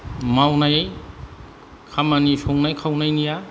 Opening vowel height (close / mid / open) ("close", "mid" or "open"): open